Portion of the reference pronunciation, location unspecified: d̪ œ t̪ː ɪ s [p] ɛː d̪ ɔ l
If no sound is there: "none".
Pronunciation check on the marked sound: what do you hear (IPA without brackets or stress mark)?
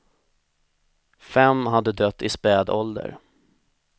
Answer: p